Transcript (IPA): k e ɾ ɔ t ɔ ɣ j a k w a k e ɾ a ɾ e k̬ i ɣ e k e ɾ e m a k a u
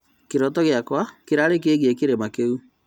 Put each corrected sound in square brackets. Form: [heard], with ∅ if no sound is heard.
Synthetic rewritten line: k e ɾ ɔ t ɔ ɣ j a k w a k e ɾ a ɾ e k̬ [e] ɣ e k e ɾ e m a k [e] u